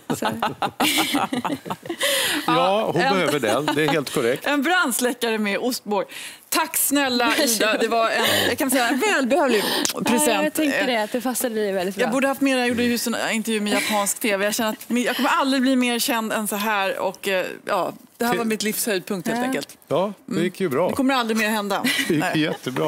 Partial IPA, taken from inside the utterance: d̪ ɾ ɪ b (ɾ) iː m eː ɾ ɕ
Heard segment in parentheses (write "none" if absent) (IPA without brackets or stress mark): l